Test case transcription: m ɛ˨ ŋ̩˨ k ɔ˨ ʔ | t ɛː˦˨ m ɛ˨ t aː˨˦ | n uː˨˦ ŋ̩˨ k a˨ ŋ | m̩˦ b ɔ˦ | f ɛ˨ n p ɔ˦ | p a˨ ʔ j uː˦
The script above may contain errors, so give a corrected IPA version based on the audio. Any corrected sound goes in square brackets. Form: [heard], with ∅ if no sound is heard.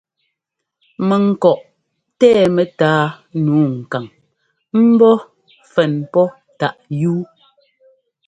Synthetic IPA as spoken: m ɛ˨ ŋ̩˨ k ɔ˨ ʔ | t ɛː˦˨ m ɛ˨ t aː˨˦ | n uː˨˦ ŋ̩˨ k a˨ ŋ | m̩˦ b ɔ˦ | f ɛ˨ n p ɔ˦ | [t] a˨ ʔ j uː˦